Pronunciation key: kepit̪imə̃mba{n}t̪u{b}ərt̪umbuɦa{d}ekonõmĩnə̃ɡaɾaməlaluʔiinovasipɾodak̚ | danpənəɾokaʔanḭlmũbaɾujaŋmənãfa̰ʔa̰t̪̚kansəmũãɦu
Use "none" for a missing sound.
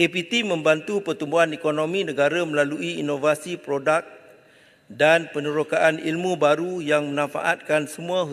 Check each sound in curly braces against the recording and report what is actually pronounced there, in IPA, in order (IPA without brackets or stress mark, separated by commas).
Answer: n, p, n